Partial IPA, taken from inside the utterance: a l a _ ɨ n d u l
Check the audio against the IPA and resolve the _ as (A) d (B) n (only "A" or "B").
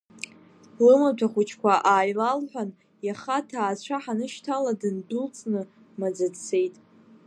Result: A